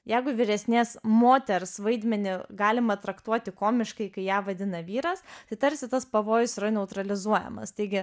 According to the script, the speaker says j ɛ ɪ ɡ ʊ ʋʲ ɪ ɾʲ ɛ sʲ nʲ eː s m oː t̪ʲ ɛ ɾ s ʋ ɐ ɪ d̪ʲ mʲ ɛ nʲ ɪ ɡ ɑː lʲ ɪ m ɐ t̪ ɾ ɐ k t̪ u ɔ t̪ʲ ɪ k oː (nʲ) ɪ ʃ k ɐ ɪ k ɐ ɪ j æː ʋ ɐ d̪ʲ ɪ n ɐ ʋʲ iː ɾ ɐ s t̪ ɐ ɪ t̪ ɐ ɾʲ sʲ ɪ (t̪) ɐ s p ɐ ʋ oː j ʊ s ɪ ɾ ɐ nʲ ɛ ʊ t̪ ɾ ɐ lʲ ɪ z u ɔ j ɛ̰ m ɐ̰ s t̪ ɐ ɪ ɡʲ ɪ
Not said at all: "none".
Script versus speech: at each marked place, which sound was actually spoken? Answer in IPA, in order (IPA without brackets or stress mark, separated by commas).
mʲ, t̪